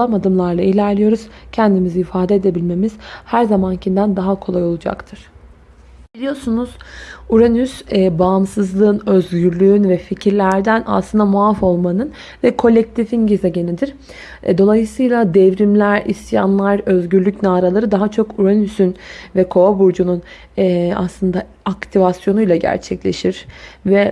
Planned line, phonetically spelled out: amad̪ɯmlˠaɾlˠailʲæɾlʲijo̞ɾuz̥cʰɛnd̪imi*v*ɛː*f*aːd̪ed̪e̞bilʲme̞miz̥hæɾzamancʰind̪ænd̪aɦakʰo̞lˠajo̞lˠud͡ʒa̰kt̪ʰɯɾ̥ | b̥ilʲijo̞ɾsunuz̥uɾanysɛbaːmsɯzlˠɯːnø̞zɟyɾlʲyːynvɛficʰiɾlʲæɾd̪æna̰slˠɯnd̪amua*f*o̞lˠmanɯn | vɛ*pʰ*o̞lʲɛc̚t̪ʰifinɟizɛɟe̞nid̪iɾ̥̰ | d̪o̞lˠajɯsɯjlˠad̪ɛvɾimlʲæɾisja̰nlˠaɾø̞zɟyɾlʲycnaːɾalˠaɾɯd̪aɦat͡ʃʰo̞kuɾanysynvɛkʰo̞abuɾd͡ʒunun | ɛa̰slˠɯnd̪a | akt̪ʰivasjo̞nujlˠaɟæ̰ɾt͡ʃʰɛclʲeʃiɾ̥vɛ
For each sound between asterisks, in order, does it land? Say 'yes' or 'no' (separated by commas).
no, yes, yes, no